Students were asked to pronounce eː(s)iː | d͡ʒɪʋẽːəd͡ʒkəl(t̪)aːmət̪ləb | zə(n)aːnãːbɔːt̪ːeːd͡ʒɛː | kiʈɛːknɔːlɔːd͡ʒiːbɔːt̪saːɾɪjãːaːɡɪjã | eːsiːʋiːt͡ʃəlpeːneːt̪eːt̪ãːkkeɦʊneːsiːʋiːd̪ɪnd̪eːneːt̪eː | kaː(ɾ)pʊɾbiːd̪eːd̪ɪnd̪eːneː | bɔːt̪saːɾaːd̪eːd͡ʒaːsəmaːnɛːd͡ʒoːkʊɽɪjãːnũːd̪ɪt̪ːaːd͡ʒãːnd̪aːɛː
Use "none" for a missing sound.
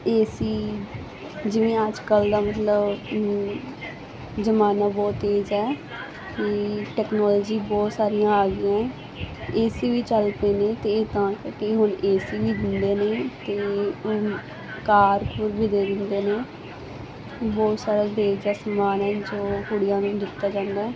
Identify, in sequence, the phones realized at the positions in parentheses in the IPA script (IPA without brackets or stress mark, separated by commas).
s, d̪, m, ɾ